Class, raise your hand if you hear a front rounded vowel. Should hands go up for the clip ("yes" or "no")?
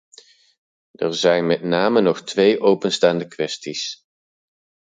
no